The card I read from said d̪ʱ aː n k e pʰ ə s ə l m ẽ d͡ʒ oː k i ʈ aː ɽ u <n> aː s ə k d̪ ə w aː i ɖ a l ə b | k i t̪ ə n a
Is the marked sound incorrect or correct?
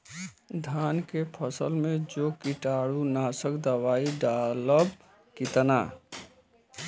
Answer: correct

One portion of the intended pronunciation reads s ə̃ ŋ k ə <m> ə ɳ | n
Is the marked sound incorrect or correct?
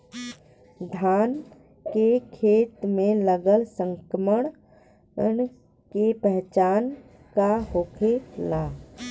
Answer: correct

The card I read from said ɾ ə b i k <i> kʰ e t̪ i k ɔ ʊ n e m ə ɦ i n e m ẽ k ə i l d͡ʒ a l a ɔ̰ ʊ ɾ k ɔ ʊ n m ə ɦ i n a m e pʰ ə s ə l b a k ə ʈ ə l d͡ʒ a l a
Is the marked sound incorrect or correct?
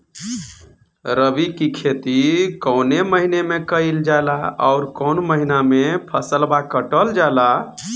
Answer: correct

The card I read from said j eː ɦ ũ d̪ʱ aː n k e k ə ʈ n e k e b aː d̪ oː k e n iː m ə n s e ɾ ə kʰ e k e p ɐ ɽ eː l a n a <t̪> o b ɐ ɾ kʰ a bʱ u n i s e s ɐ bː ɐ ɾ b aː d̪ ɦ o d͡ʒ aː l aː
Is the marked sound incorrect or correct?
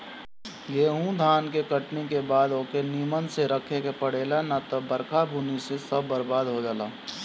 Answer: correct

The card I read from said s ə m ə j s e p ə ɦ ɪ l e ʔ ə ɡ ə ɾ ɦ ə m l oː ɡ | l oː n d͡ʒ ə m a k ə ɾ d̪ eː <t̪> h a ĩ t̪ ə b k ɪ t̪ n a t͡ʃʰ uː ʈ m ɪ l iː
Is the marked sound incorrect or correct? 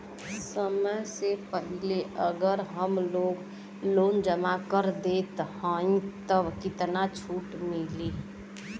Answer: correct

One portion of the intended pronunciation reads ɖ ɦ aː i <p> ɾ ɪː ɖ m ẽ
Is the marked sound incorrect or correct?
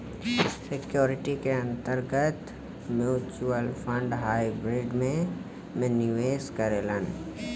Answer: incorrect: b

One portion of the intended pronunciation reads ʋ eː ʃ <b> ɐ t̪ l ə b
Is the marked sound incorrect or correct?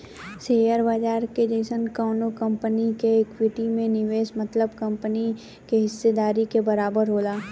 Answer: incorrect: m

